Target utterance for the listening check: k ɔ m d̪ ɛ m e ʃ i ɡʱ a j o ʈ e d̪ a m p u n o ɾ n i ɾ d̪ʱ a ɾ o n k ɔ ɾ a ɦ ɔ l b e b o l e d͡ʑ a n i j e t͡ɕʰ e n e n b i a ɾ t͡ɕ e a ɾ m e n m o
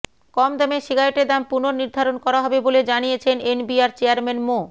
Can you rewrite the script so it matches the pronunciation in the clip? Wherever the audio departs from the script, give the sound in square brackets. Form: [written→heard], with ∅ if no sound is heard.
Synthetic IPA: k ɔ m d̪ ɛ m e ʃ i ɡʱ a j o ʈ e d̪ a m p u n o ɾ n i ɾ d̪ʱ a ɾ o n k ɔ ɾ a ɦ ɔ [l→∅] b e b o l e d͡ʑ a n i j e t͡ɕʰ e n e n b i a ɾ t͡ɕ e a ɾ m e n m o